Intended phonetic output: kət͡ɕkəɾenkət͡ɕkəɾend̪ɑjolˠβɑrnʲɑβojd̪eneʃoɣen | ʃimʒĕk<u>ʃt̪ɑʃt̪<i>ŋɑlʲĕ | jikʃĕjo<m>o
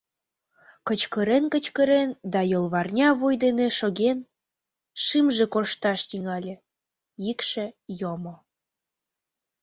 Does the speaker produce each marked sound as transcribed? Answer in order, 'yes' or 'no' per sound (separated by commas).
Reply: no, yes, yes